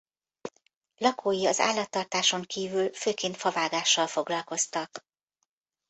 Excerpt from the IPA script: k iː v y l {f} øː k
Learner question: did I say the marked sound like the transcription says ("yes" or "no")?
yes